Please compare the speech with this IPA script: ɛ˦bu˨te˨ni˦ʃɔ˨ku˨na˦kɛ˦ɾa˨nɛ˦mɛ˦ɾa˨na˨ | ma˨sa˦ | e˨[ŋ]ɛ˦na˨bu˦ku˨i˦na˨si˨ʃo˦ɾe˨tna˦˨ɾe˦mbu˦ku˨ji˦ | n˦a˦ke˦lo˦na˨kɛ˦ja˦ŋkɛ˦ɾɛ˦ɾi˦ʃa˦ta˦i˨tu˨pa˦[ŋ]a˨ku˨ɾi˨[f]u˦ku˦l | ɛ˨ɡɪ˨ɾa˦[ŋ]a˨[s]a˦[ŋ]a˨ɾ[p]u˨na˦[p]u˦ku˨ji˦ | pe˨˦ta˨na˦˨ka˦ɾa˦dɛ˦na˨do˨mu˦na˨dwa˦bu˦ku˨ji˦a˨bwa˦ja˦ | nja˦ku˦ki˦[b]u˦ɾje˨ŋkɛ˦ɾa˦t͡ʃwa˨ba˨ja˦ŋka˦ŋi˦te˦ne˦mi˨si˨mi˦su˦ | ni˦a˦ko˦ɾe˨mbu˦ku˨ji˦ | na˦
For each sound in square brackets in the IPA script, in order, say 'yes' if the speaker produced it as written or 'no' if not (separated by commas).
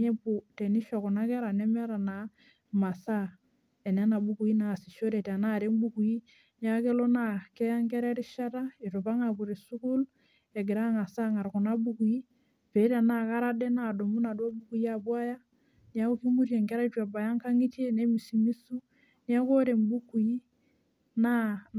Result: no, yes, no, yes, yes, yes, no, no, no